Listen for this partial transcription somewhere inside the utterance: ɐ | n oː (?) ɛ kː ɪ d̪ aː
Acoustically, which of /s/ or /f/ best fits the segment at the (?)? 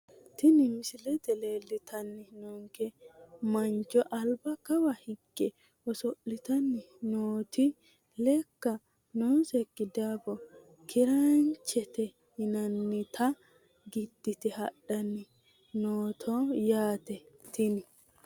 s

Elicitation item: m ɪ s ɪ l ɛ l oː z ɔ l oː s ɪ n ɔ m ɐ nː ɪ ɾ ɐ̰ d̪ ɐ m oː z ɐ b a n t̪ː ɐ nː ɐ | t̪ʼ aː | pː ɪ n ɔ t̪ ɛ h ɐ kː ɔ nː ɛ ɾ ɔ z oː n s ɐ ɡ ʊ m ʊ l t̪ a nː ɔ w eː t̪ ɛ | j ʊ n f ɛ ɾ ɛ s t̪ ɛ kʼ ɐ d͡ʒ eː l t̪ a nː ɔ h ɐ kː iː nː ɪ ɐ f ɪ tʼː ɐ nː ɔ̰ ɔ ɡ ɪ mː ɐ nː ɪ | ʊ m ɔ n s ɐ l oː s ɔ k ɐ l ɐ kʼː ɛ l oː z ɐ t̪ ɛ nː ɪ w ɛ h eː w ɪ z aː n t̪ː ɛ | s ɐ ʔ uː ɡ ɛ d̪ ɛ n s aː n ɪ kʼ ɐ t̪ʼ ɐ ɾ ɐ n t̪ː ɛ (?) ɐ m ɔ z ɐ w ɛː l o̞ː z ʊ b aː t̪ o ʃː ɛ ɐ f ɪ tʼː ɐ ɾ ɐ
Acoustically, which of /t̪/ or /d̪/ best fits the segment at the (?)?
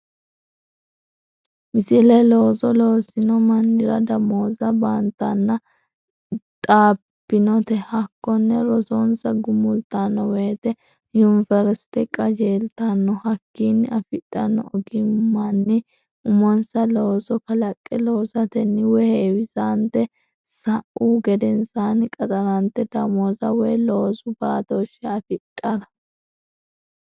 d̪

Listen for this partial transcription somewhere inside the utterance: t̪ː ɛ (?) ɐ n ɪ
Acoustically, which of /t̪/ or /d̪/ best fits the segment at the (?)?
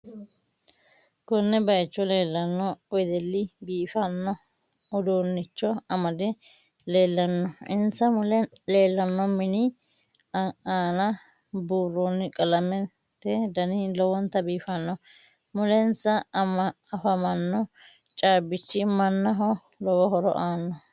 d̪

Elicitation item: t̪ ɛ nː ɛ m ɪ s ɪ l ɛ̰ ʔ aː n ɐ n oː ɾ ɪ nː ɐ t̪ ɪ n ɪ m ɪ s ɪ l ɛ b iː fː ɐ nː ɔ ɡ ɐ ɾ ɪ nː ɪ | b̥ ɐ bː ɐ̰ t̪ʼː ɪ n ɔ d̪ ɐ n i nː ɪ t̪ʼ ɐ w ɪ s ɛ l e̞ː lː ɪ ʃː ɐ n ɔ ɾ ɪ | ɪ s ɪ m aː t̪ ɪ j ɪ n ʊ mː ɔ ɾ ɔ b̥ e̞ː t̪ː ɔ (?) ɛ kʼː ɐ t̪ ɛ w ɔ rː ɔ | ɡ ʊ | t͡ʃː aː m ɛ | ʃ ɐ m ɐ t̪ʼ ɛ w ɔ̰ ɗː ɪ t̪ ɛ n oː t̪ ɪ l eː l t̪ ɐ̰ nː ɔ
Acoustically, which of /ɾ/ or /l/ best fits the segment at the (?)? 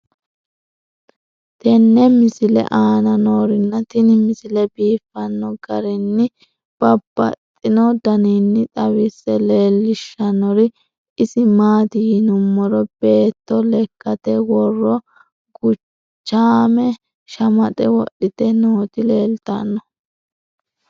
l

